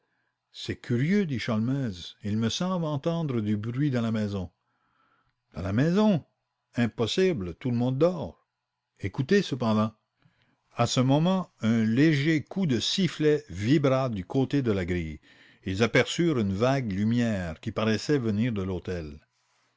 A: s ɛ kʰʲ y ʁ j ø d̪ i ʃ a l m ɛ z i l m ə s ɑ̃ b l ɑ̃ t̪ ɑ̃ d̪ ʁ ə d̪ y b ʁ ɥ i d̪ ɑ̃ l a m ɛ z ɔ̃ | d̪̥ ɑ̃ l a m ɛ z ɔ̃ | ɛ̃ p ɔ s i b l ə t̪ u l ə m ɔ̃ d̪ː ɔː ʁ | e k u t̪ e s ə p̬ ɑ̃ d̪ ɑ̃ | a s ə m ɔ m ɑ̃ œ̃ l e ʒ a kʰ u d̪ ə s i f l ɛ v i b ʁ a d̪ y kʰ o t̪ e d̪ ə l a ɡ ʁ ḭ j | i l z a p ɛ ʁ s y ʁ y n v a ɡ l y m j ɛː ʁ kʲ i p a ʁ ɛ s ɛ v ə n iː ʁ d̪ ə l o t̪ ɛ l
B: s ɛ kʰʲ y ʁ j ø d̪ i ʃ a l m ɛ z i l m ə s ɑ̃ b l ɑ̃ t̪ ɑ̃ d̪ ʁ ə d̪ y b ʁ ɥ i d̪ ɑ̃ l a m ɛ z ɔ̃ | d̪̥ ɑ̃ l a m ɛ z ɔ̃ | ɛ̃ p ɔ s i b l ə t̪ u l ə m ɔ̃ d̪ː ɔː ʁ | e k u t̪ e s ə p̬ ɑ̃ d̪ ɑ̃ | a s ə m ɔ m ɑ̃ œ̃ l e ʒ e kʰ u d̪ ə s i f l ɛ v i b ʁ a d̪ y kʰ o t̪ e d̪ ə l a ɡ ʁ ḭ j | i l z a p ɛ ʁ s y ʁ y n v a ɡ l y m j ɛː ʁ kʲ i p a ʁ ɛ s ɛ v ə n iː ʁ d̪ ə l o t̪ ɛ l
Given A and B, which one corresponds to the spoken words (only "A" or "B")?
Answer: B